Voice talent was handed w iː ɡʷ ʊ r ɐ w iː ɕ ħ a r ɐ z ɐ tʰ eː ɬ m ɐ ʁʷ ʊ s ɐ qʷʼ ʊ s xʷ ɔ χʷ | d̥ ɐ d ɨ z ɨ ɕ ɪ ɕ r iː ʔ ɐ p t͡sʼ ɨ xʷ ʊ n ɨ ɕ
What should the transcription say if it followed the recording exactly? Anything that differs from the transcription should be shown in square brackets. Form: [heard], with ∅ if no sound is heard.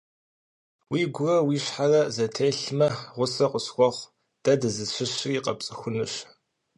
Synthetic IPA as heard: w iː ɡʷ ʊ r ɐ w iː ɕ ħ a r ɐ z ɐ tʰ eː ɬ m ɐ ʁʷ ʊ s ɐ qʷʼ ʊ s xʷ ɔ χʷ | d̥ ɐ d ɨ z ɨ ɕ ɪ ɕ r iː [q] ɐ p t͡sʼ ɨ xʷ ʊ n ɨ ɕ